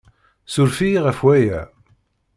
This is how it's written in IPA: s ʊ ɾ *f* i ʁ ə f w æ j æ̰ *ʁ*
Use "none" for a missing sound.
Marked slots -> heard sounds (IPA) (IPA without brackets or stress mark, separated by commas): f, none